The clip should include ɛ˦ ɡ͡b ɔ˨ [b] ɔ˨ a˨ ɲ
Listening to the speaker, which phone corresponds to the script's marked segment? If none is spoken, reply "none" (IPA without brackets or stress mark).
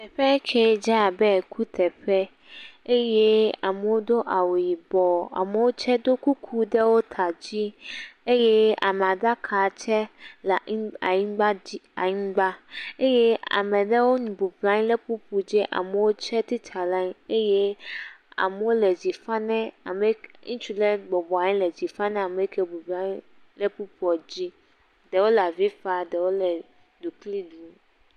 b